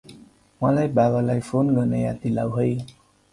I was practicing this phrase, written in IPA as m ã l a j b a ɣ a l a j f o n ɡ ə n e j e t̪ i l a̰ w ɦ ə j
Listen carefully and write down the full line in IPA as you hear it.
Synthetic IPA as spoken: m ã l a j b a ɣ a l a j f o n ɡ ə n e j a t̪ i l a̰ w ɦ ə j